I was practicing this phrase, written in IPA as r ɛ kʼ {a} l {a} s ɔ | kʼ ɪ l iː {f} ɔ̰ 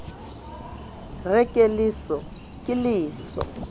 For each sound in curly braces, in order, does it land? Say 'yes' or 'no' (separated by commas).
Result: no, no, no